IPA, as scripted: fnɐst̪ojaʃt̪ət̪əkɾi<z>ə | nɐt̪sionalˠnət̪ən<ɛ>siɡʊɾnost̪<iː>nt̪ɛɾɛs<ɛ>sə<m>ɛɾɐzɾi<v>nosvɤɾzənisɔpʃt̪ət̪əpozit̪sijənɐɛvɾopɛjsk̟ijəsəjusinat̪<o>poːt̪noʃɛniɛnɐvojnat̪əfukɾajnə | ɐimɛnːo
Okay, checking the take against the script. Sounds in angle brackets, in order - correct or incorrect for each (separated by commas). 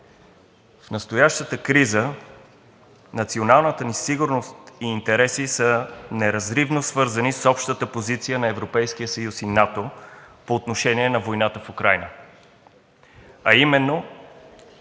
correct, incorrect, correct, incorrect, incorrect, correct, correct